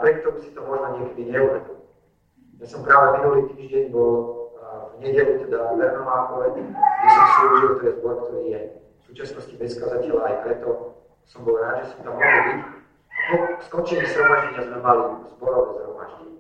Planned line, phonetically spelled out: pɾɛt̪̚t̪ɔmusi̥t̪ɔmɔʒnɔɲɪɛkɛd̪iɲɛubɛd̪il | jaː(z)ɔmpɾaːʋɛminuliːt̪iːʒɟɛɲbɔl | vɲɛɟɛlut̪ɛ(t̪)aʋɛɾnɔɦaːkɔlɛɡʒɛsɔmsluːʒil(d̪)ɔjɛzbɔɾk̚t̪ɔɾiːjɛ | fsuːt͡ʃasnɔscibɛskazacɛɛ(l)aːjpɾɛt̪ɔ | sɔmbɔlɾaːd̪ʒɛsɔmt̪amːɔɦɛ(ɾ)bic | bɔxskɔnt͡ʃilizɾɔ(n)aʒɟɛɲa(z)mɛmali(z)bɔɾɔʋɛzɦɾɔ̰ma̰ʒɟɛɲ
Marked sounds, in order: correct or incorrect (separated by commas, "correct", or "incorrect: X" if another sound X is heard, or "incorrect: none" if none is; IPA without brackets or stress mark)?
incorrect: s, incorrect: d̪, incorrect: t̪, correct, incorrect: l, incorrect: m, correct, correct